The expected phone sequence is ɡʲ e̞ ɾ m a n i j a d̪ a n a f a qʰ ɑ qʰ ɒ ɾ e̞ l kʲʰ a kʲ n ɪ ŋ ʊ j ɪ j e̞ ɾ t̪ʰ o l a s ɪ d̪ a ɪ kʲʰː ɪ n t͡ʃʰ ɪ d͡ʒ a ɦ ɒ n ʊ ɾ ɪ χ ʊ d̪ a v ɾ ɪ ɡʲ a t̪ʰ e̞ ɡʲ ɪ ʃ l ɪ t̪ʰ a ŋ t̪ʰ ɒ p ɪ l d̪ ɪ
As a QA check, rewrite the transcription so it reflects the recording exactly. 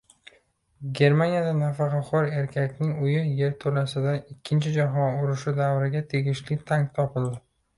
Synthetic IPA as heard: ɡʲ e̞ ɾ m a n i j a d̪ a n a f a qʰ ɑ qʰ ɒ ɾ e̞ ɾ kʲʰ a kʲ n ɪ ŋ ʊ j ɪ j e̞ ɾ t̪ʰ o l a s ɪ d̪ a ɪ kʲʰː ɪ n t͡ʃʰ ɪ d͡ʒ a ɦ ɒ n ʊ ɾ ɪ ʃ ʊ d̪ a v ɾ ɪ ɡʲ a t̪ʰ e̞ ɡʲ ɪ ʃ l ɪ t̪ʰ a ŋ t̪ʰ ɒ p ɪ l d̪ ɪ